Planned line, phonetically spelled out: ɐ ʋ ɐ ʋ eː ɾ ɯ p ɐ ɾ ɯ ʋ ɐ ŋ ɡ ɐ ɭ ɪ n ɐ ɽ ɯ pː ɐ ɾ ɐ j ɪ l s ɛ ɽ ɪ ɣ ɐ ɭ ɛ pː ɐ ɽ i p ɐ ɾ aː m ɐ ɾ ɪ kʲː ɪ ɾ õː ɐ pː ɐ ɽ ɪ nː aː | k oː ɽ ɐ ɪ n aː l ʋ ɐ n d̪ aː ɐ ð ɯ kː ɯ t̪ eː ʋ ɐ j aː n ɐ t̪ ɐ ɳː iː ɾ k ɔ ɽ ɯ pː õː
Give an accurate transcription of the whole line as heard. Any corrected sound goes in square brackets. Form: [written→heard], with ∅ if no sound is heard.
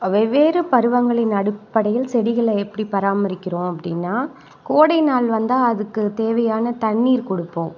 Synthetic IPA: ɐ ʋ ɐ ʋ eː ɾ ɯ p ɐ ɾ ɯ ʋ ɐ ŋ ɡ ɐ ɭ ɪ n ɐ ɽ ɯ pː ɐ [ɾ→ɽ] ɐ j ɪ l s ɛ ɽ ɪ ɣ ɐ ɭ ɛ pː ɐ ɽ i p ɐ ɾ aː m ɐ ɾ ɪ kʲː ɪ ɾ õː ɐ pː ɐ ɽ ɪ nː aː | k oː ɽ ɐ ɪ n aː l ʋ ɐ n d̪ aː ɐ ð ɯ kː ɯ t̪ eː ʋ ɐ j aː n ɐ t̪ ɐ ɳː iː ɾ k ɔ ɽ ɯ pː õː